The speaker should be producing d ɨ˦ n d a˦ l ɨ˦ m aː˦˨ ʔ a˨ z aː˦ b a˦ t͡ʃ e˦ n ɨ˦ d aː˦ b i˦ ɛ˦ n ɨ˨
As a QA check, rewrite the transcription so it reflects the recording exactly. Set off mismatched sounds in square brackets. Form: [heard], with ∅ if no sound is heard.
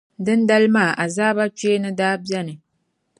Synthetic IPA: d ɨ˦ n d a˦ l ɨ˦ m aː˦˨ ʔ a˨ z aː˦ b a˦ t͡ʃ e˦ n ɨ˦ d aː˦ b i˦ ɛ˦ n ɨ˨